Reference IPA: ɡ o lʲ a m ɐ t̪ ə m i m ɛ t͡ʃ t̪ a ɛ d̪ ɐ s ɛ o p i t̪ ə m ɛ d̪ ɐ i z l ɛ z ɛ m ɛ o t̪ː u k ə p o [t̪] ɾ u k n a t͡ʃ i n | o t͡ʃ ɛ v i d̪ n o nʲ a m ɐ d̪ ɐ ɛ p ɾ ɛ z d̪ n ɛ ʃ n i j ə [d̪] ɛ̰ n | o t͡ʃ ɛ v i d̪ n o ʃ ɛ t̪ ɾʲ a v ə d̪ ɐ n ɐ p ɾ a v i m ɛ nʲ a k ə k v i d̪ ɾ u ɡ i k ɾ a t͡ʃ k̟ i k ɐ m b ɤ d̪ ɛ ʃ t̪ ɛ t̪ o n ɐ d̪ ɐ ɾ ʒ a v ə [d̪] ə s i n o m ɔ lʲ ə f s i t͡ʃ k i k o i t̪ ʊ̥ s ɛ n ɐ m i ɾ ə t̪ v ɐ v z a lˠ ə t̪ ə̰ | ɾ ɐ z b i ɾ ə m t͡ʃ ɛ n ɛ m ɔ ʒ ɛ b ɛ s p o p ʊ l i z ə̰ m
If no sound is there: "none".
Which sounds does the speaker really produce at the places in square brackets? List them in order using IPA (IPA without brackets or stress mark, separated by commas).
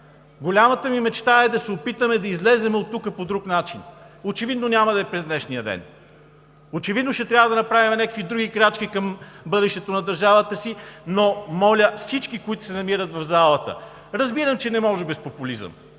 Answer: d̪, d̪, t̪